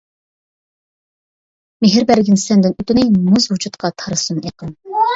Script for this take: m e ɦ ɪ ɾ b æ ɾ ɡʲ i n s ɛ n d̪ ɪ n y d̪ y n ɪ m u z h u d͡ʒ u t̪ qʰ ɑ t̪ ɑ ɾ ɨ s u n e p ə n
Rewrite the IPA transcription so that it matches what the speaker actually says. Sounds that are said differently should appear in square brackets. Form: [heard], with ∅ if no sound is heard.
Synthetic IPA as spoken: m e ɦ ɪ ɾ b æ ɾ ɡʲ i n s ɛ n d̪ ɪ n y [t̪] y n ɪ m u z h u d͡ʒ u t̪ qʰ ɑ [t̪ʰ] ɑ ɾ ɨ s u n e [q] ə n

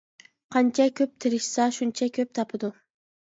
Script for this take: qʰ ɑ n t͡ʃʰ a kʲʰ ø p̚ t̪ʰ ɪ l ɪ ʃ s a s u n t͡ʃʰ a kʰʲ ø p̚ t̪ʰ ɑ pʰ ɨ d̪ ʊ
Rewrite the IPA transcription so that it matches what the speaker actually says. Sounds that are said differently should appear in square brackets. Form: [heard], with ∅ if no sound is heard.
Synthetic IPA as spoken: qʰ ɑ n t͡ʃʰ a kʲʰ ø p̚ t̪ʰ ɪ [ɾ] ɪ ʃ s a [ʃ] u n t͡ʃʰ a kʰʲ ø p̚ t̪ʰ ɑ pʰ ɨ d̪ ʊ

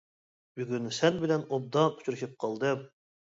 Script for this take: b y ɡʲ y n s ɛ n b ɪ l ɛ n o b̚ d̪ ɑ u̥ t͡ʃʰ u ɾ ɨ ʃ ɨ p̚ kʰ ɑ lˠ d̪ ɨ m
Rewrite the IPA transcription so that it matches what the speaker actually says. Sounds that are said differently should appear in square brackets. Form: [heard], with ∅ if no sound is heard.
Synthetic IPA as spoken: b y ɡʲ y n s ɛ n b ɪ l ɛ n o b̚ d̪ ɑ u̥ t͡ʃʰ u ɾ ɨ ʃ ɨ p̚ [qʰ] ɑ lˠ d̪ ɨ m

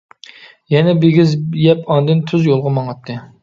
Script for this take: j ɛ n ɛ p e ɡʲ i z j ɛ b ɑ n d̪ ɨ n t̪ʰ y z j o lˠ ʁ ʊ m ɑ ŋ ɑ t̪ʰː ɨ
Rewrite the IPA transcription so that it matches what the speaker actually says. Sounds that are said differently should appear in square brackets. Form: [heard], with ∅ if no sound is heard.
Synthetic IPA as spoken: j ɛ n ɛ [b] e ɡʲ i z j ɛ [p] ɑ n d̪ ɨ n t̪ʰ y z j o lˠ ʁ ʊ m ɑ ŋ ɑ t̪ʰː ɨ

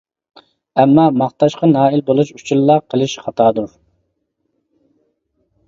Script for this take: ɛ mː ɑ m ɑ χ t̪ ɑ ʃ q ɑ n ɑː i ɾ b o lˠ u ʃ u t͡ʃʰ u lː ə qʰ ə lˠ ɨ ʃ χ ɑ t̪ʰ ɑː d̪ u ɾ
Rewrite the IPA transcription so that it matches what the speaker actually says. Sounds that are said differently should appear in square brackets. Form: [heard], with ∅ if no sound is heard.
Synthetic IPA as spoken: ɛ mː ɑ m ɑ χ t̪ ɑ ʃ q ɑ n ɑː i [l] b o lˠ u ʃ u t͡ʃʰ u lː [ɑ] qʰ ə lˠ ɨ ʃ χ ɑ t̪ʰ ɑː d̪ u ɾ

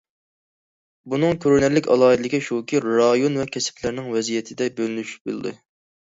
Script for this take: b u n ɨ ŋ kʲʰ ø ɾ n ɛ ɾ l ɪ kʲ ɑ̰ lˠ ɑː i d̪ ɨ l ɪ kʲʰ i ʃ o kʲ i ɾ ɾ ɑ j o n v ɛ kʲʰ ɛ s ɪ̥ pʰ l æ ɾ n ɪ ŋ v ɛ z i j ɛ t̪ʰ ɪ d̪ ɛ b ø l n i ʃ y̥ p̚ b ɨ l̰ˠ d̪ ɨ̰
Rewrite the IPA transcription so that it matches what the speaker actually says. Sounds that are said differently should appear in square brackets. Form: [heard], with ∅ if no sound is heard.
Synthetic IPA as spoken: b u n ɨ ŋ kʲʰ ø ɾ n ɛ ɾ l ɪ kʲ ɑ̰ lˠ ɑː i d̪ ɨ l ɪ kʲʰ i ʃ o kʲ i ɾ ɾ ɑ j o n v ɛ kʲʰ ɛ s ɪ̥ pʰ l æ ɾ n ɪ ŋ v ɛ z i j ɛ t̪ʰ ɪ d̪ ɛ b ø l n [y] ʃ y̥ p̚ b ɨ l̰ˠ d̪ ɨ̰

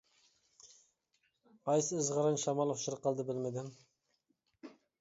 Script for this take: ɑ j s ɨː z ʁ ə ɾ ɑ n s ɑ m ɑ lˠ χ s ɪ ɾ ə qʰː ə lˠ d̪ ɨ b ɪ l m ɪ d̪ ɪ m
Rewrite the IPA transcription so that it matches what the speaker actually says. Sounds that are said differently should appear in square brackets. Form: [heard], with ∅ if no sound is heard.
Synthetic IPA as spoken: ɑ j s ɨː z ʁ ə ɾ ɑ n [ʃ] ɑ m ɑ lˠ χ [ʃ] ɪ ɾ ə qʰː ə lˠ d̪ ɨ b ɪ l m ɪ d̪ ɪ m

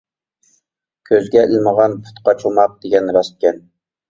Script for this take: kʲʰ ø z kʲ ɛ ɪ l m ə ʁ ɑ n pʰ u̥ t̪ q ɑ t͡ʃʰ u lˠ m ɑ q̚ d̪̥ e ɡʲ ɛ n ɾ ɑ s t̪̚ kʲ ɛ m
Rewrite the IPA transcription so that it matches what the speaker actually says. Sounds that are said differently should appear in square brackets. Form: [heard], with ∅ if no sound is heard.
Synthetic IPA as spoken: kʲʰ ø z [ɡʲ] ɛ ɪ l m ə ʁ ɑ n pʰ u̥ t̪ q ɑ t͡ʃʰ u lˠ m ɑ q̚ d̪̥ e ɡʲ ɛ n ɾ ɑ s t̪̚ kʲ ɛ [n]

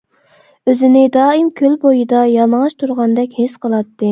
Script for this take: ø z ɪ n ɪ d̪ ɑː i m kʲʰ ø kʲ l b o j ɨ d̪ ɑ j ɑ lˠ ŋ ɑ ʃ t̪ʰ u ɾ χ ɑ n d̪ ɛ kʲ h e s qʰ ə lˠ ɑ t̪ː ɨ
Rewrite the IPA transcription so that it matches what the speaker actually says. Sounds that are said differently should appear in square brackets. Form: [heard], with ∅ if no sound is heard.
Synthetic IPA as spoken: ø z ɪ n ɪ d̪ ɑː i m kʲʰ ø [∅] l b o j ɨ d̪ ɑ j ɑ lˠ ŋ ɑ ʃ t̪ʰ u ɾ [ʁ] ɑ n d̪ ɛ kʲ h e s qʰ ə lˠ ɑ t̪ː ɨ

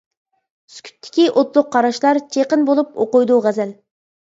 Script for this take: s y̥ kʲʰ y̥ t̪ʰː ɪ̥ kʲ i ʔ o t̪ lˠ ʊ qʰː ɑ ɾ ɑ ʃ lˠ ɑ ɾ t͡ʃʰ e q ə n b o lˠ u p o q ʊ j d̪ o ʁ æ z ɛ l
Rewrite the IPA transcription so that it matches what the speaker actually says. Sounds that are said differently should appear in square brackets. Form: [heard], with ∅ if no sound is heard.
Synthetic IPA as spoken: s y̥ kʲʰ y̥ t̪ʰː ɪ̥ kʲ i ʔ o t̪ lˠ ʊ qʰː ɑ ɾ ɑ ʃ lˠ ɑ ɾ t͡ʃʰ e q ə n b o lˠ u p o q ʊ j d̪ [u] ʁ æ z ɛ l

